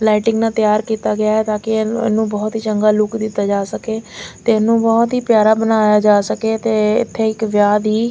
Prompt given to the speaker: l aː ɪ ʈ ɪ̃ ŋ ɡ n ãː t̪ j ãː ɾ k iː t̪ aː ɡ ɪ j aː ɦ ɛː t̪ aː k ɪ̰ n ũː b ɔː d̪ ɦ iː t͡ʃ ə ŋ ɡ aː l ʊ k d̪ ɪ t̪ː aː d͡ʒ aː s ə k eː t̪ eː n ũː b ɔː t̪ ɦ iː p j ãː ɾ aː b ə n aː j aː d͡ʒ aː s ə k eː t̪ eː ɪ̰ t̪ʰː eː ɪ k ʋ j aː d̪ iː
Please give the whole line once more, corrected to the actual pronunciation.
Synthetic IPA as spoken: l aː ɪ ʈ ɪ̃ ŋ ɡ n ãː t̪ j aː ɾ k iː t̪ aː ɡ ɪ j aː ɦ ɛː t̪ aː k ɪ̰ n ũː b ɔː t̪ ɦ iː t͡ʃ ə ŋ ɡ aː l ʊ k d̪ ɪ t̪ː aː d͡ʒ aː s ə k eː t̪ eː n ũː b ɔː t̪ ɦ iː p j aː ɾ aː b ə n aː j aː d͡ʒ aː s ə k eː t̪ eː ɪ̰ t̪ʰː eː ɪ k ʋ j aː d̪ iː